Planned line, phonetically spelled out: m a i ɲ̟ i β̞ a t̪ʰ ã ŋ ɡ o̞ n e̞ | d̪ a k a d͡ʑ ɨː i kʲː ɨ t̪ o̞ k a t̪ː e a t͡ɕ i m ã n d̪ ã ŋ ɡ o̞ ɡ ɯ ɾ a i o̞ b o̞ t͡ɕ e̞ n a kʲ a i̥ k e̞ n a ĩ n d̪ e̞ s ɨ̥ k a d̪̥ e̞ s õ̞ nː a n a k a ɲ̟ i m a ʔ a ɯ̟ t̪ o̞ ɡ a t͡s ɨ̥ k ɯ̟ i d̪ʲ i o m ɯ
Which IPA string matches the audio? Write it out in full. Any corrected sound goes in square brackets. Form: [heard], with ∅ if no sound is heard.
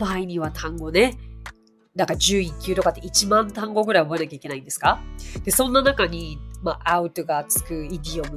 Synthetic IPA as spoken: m a i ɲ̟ i β̞ a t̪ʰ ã ŋ ɡ o̞ n e̞ | d̪ a k a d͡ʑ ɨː i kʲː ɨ t̪ o̞ k a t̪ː e [i] t͡ɕ i m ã n [t̪] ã ŋ ɡ o̞ ɡ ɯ ɾ a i o̞ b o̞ [∅] e̞ n a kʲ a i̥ k e̞ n a ĩ n d̪ e̞ s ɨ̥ k a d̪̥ e̞ s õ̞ nː a n a k a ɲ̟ i m a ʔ a ɯ̟ t̪ o̞ ɡ a t͡s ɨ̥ k ɯ̟ i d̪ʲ i o m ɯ